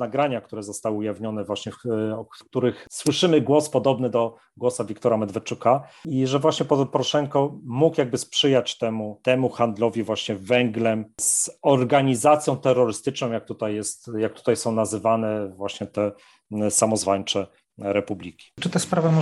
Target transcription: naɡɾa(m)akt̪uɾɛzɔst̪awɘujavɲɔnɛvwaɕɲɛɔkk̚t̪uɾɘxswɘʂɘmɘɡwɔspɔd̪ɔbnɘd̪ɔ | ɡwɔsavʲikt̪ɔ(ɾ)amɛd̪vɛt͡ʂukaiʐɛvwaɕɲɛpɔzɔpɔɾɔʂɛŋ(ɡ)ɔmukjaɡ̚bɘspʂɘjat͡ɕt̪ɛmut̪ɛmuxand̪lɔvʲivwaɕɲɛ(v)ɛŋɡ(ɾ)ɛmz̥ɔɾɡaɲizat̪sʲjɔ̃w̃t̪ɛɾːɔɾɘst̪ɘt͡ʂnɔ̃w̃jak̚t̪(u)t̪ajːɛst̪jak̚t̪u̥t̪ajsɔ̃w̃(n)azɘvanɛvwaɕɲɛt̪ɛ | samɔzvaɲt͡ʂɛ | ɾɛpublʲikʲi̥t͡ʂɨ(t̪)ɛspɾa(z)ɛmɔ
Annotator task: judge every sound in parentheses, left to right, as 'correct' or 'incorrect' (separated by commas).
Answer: incorrect, correct, incorrect, correct, incorrect, correct, correct, correct, incorrect